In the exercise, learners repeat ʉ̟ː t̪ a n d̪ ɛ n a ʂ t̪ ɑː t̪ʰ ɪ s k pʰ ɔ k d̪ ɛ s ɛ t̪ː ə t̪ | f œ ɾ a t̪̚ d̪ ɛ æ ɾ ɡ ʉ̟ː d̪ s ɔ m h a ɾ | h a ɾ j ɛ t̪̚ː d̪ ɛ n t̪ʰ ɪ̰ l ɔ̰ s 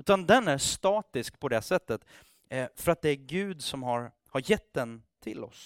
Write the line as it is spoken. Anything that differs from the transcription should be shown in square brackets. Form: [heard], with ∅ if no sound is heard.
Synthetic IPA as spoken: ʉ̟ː t̪ a n d̪ ɛ n [æ] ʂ t̪ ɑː [t̪] ɪ s k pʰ ɔ [∅] d̪ ɛ s ɛ t̪ː ə t̪ | f œ ɾ a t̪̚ d̪ ɛ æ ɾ ɡ ʉ̟ː d̪ s ɔ m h a ɾ | h a ɾ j ɛ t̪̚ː d̪ ɛ n t̪ʰ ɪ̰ l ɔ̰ s